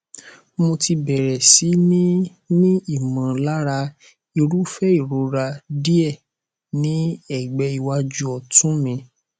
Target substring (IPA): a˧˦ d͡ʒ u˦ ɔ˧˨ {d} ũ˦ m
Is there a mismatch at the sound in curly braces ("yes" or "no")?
yes